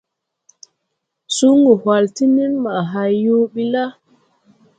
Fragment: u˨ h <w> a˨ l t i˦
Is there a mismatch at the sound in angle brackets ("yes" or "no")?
no